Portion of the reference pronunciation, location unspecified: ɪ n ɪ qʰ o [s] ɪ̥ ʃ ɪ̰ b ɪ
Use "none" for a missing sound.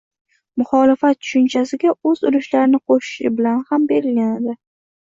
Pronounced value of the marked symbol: ʃ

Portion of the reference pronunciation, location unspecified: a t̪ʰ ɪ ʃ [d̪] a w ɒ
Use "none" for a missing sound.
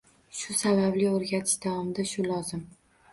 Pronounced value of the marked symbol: d̪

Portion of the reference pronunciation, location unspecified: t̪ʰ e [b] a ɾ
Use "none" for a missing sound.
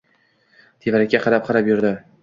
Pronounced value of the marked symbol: v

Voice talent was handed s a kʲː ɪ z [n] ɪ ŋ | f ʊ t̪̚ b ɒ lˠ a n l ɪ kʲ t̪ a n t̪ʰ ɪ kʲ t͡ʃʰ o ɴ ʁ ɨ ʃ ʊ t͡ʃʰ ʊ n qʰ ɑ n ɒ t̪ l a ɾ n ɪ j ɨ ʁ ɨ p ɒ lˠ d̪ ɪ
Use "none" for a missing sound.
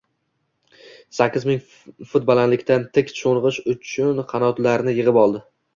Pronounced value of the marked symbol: m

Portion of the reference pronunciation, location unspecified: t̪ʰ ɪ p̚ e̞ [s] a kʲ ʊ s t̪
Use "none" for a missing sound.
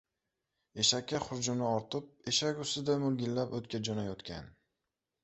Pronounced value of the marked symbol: ʃ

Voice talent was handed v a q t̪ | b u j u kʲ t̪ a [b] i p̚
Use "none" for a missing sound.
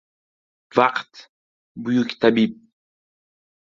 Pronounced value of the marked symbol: b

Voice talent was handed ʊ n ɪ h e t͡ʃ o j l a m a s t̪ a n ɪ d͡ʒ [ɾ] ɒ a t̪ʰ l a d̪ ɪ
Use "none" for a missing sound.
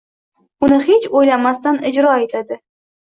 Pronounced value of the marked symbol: ɾ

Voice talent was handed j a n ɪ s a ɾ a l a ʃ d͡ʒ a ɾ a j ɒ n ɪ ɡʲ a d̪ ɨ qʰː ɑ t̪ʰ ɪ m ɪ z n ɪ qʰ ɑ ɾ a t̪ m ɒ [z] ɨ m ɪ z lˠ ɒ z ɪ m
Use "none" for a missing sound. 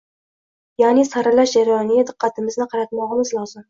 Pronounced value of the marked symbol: ʁ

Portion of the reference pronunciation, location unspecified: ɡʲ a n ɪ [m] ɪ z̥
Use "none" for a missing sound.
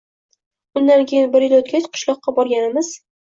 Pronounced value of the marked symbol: m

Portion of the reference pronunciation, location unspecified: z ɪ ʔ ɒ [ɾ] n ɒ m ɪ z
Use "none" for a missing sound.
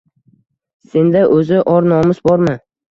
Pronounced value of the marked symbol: ɾ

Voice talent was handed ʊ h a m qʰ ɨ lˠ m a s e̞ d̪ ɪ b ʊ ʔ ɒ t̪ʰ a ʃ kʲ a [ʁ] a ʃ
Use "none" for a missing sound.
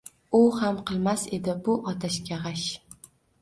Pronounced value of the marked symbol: ʁ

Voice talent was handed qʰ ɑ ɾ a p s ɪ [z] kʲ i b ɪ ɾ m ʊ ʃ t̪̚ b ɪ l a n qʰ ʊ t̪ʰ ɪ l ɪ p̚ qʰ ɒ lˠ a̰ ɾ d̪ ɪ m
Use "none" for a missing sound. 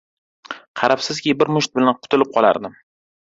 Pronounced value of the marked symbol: z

